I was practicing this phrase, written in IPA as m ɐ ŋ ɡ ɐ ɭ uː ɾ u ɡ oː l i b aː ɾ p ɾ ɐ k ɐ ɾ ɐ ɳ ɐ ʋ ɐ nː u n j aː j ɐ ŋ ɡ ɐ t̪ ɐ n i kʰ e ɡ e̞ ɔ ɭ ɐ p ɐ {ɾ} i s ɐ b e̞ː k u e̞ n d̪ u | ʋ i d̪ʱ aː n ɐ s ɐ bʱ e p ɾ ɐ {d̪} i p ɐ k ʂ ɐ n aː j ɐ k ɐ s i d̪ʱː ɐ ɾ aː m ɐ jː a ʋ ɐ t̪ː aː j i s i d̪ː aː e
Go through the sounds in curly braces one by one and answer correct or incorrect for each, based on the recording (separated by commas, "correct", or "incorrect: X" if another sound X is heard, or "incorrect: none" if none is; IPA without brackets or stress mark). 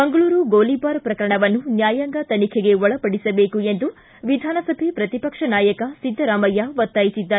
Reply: incorrect: ɽ, incorrect: t̪